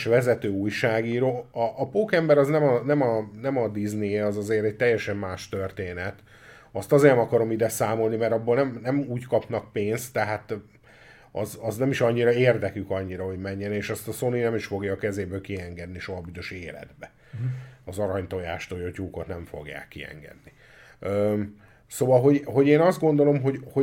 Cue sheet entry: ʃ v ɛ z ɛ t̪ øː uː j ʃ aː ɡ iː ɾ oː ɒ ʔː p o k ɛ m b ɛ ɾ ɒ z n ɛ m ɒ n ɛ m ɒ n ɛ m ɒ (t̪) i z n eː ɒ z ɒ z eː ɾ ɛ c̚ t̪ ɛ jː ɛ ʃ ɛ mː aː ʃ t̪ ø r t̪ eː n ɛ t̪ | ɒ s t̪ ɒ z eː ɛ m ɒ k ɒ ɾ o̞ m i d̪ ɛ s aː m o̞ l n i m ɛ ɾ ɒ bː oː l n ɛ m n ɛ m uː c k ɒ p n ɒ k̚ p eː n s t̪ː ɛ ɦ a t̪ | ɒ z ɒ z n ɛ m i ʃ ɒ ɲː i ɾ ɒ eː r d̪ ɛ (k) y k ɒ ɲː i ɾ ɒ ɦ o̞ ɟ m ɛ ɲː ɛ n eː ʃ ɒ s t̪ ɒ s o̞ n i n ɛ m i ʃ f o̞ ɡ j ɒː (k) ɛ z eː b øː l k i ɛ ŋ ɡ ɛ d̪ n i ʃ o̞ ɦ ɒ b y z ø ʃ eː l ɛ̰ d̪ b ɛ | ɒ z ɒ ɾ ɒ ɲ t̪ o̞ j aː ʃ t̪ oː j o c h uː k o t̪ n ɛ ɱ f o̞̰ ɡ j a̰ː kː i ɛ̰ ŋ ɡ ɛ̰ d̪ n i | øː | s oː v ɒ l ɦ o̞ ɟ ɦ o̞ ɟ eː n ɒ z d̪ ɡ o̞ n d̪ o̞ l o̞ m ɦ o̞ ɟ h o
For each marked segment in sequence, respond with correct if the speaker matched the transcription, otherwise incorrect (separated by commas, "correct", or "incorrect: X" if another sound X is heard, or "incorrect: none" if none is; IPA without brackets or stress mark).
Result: incorrect: d̪, correct, correct